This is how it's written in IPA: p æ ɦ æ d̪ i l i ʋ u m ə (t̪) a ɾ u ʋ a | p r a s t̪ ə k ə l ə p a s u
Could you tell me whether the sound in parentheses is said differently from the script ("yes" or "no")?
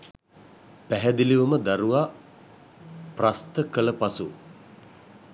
yes